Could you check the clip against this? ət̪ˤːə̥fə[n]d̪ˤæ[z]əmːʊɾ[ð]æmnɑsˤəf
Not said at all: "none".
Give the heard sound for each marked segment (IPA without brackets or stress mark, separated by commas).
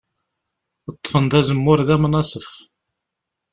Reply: n, z, ð